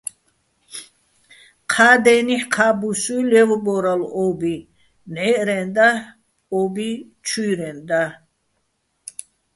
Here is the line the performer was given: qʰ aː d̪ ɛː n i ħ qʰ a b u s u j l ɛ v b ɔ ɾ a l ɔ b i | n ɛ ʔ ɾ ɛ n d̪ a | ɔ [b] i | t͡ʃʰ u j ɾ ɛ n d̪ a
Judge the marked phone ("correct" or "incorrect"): correct